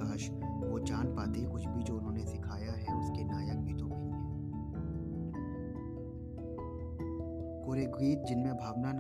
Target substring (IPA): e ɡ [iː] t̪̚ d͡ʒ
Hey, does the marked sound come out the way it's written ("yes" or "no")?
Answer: yes